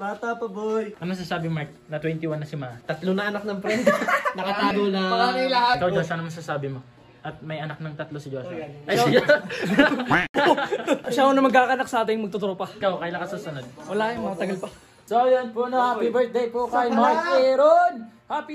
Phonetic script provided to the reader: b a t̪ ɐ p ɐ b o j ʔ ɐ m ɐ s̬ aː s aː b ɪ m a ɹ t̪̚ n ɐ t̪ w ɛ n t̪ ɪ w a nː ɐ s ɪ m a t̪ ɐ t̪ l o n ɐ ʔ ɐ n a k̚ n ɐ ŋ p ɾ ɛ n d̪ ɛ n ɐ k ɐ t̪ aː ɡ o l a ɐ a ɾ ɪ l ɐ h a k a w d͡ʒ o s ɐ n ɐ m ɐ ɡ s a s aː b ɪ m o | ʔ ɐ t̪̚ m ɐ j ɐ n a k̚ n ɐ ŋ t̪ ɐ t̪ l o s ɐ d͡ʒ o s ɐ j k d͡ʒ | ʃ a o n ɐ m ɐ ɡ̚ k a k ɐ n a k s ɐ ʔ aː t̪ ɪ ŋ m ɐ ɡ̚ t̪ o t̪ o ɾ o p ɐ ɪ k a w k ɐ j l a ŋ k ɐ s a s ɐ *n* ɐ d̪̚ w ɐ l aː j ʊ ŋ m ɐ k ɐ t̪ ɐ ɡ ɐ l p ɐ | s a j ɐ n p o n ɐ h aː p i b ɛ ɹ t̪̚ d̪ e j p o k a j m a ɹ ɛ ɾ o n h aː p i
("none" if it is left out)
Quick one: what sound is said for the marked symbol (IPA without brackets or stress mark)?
n